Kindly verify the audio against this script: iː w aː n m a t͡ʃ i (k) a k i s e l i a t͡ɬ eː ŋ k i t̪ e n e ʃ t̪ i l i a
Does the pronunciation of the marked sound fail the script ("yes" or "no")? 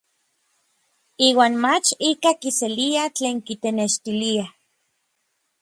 no